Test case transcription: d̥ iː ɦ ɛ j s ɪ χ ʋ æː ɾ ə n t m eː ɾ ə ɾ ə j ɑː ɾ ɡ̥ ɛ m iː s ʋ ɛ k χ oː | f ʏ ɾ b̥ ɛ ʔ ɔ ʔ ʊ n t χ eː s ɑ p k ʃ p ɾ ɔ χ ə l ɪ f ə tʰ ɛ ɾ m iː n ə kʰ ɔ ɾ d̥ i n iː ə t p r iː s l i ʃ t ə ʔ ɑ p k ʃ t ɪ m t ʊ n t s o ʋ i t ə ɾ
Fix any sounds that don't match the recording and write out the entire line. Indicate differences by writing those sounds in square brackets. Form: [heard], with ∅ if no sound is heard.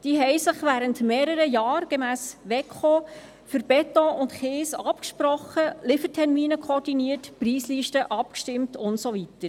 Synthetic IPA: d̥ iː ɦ ɛ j s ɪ χ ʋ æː ɾ ə n t m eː ɾ ə ɾ ə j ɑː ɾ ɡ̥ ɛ m [æː] s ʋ ɛ k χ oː | f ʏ ɾ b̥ ɛ [t] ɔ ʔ ʊ n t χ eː s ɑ p k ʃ p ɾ ɔ χ ə l ɪ f ə tʰ ɛ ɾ m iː n ə kʰ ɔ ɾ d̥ i n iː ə t p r iː s l i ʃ t ə ʔ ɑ p k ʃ t ɪ m t ʊ n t s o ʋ i t ə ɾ